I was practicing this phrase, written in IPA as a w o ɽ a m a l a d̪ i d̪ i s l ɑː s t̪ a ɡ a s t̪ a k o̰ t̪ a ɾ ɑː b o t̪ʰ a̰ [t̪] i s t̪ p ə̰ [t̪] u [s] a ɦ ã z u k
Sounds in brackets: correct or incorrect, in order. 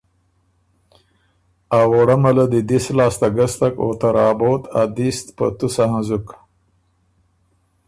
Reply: incorrect: d̪, correct, correct

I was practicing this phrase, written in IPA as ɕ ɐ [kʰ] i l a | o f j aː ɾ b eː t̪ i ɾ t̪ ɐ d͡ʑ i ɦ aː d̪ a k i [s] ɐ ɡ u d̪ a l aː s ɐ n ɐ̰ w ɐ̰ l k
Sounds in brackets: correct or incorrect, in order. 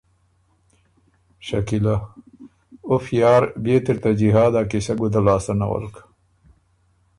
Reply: incorrect: k, correct

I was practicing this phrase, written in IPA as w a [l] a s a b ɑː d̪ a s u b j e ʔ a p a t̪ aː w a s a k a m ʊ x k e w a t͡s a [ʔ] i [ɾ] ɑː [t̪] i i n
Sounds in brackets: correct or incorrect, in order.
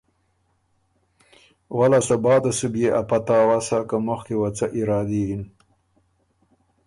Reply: correct, correct, correct, incorrect: d̪

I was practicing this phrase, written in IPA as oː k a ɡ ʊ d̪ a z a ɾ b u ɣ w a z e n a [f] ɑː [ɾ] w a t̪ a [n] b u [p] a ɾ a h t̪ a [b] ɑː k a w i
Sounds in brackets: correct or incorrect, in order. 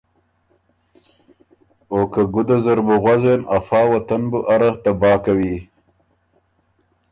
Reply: correct, incorrect: none, correct, incorrect: ʔ, correct

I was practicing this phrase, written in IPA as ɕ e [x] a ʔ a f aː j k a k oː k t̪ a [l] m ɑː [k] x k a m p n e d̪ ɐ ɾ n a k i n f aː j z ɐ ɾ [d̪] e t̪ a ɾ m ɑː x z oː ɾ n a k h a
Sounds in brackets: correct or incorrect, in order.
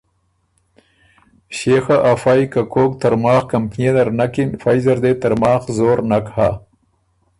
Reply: correct, incorrect: ɾ, incorrect: none, correct

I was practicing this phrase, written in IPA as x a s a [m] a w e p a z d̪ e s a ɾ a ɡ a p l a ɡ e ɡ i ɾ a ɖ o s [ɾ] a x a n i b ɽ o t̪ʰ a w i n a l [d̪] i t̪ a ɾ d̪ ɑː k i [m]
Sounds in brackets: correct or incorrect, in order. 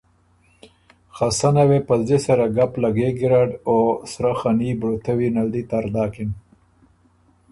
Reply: incorrect: n, correct, correct, incorrect: n

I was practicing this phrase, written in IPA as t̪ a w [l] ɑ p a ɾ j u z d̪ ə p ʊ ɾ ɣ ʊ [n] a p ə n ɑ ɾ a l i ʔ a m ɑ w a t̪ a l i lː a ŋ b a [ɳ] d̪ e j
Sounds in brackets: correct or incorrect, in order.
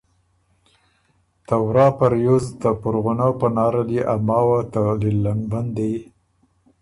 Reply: incorrect: ɾ, correct, incorrect: n

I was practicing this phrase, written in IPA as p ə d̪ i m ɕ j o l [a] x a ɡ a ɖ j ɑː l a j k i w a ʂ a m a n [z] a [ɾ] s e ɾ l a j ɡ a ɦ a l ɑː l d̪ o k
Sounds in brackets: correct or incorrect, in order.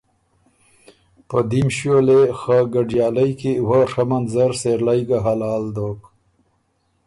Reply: incorrect: e, correct, correct

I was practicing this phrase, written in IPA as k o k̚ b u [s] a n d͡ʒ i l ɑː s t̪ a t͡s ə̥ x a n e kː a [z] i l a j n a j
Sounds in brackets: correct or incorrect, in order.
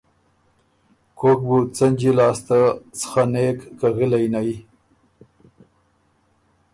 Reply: incorrect: t͡s, incorrect: ɣ

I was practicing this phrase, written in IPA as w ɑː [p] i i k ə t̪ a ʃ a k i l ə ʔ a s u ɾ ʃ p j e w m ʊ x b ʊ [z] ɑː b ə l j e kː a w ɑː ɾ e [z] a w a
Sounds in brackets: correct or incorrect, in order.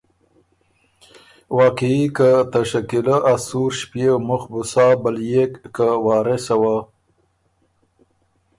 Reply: incorrect: q, incorrect: s, incorrect: s

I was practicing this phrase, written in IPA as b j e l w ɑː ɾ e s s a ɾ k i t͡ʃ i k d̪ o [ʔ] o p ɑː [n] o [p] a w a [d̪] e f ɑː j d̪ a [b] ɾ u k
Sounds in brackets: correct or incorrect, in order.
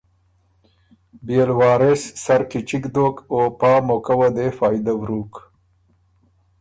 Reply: incorrect: k, incorrect: m, incorrect: k, correct, incorrect: w

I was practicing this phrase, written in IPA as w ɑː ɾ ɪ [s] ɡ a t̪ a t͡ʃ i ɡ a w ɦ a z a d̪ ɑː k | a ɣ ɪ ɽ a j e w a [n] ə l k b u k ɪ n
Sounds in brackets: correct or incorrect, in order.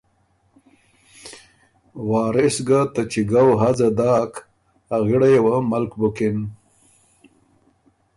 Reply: correct, incorrect: m

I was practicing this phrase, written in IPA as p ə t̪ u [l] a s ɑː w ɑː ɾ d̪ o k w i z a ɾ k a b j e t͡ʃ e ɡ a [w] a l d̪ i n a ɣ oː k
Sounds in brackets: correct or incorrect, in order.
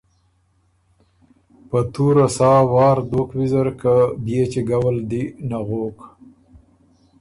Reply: incorrect: ɾ, correct

